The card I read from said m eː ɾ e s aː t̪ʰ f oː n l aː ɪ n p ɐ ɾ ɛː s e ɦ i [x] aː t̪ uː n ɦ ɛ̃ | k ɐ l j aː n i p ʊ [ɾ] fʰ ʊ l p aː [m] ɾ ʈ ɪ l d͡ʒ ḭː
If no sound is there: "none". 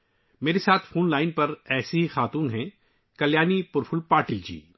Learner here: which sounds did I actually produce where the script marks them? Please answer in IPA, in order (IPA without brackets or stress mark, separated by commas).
x, ɾ, none